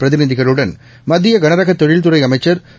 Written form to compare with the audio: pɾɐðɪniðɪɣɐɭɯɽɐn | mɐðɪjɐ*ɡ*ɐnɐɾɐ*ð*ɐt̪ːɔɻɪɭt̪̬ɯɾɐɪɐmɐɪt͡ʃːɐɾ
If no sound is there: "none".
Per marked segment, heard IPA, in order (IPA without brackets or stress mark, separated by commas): ɡ, ɣ